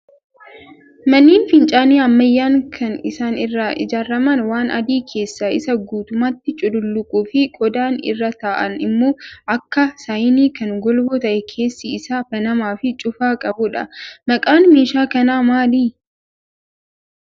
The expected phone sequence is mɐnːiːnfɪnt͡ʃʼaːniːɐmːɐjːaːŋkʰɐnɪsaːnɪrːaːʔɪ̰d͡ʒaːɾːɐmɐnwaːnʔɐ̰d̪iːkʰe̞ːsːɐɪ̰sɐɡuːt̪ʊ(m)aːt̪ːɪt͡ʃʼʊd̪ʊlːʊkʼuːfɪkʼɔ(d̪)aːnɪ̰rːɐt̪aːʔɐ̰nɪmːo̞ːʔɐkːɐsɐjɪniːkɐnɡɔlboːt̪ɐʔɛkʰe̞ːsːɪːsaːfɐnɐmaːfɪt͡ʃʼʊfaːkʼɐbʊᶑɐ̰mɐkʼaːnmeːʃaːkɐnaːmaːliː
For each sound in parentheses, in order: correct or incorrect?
correct, correct

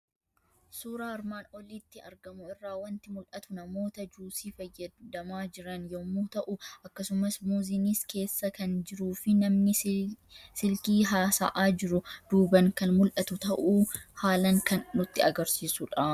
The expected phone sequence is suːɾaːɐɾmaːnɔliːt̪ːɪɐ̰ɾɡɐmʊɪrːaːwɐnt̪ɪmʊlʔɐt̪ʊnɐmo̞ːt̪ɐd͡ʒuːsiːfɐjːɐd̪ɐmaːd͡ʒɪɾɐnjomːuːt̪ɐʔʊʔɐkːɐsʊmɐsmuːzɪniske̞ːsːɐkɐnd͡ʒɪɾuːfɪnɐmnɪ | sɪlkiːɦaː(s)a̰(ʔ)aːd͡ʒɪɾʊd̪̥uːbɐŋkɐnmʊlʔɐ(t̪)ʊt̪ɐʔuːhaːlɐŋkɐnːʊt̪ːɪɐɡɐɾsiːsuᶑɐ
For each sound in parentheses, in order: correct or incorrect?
correct, correct, correct

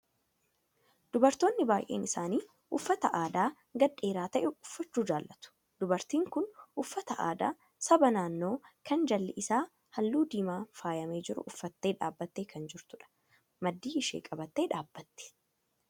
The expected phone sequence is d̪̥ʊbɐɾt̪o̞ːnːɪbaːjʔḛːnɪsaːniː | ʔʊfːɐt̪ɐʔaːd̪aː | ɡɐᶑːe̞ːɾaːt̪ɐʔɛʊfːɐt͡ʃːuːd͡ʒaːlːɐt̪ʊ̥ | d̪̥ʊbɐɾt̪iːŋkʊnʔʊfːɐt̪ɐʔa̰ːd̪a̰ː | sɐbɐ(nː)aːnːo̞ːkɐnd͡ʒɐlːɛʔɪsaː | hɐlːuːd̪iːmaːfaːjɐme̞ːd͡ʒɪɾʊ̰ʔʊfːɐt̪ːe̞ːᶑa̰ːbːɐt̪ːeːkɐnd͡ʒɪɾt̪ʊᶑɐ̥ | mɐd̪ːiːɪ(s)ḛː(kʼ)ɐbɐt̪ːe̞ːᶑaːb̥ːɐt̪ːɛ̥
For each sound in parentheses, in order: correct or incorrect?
incorrect, incorrect, correct

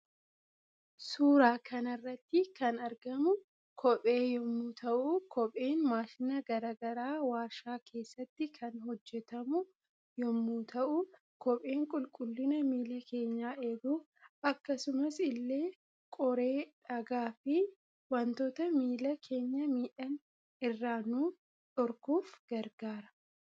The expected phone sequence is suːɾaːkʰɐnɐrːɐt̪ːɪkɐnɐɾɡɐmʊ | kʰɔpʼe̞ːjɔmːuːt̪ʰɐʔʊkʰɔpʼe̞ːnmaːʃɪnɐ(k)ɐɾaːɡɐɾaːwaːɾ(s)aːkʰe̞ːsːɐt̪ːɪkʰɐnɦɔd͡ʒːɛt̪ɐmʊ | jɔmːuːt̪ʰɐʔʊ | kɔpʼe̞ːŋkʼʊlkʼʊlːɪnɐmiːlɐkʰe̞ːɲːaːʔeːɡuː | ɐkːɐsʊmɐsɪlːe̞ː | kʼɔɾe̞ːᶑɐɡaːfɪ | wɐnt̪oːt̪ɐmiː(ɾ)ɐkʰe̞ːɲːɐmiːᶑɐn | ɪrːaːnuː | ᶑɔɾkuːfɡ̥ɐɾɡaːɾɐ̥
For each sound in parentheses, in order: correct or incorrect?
incorrect, incorrect, incorrect

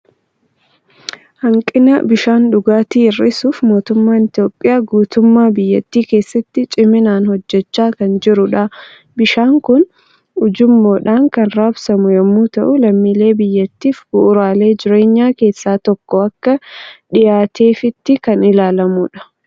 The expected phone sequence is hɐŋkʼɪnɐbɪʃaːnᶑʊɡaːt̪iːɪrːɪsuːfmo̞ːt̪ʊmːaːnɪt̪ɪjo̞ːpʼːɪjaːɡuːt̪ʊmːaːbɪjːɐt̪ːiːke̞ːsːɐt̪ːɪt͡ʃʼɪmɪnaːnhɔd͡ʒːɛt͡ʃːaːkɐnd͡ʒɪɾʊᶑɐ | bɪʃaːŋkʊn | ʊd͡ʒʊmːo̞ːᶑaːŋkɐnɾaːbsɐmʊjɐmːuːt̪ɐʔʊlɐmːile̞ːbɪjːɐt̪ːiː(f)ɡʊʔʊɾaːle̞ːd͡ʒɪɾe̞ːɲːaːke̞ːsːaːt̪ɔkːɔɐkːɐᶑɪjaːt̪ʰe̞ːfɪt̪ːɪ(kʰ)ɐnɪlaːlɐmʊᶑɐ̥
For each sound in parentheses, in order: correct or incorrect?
correct, incorrect

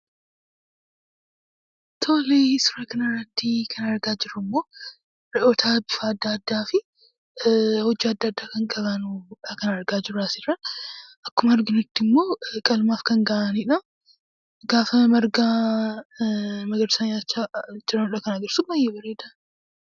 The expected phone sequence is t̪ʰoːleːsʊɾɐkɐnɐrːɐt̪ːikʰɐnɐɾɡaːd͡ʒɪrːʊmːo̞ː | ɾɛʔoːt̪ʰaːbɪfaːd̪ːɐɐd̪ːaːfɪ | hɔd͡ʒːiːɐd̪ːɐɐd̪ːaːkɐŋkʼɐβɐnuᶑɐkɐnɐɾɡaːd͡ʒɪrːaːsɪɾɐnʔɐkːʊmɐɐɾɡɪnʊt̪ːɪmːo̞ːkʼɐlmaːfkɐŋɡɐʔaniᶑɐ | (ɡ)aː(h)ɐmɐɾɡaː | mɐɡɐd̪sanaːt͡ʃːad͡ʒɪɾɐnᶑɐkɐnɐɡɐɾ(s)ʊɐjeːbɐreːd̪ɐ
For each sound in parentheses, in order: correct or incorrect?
correct, incorrect, correct

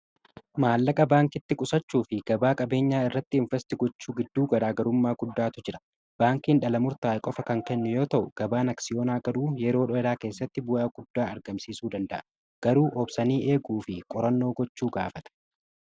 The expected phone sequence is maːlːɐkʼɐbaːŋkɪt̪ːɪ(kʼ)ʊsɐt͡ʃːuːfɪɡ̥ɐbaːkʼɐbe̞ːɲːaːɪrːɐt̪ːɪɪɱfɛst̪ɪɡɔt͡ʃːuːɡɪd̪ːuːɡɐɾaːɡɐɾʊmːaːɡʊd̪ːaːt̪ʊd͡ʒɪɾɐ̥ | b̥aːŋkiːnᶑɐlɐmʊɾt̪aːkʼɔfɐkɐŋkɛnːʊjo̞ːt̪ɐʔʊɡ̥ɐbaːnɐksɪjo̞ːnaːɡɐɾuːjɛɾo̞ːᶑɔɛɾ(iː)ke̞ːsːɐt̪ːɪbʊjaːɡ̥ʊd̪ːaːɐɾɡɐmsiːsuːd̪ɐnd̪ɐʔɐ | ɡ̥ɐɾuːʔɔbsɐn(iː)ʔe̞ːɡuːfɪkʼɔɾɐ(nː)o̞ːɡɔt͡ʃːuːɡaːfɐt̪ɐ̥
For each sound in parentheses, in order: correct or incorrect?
correct, incorrect, correct, correct

